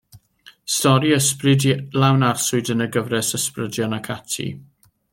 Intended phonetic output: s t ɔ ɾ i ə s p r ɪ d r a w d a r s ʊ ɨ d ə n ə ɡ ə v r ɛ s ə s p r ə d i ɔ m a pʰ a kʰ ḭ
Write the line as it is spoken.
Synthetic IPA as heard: s t ɔ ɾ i ə s p r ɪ d l a w n a r s ʊ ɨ d ə n ə ɡ ə v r ɛ s ə s p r ə d j ɔ n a kʰ a tʰ ḭ